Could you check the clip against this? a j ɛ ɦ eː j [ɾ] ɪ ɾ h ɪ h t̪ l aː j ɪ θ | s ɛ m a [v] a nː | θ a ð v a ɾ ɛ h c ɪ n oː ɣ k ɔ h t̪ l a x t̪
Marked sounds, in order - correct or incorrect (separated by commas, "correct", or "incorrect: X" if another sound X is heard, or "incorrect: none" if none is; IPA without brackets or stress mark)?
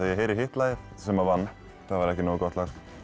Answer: correct, correct